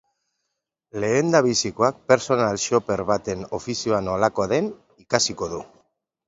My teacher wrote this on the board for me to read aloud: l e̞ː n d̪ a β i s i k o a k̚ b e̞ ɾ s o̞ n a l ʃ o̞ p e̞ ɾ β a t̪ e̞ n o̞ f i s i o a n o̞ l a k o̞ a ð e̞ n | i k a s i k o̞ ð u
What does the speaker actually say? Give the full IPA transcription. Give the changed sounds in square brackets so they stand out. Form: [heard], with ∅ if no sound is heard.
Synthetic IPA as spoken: l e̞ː n d̪ a β i s i k o a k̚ [p] e̞ ɾ s o̞ n a l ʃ o̞ p e̞ ɾ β a t̪ e̞ n o̞ f i s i o a n o̞ l a k o̞ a ð e̞ n | i k a s i k o̞ ð u